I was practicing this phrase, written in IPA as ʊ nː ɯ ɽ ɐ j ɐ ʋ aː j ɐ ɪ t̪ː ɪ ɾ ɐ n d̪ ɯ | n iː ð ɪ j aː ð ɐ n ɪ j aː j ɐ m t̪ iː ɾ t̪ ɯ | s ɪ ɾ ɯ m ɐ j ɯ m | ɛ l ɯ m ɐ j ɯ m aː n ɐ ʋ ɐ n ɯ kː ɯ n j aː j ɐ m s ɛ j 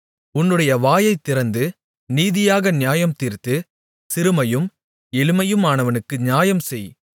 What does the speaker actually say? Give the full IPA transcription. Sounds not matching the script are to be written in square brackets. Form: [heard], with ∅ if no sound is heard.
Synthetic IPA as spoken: ʊ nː ɯ ɽ ɐ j ɐ ʋ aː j ɐ ɪ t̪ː ɪ ɾ ɐ n d̪ ɯ | n iː ð ɪ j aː [ɣ] ɐ n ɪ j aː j ɐ m t̪ iː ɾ t̪ ɯ | s ɪ ɾ ɯ m ɐ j ɯ m | ɛ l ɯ m ɐ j ɯ m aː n ɐ ʋ ɐ n ɯ kː ɯ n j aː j ɐ m s ɛ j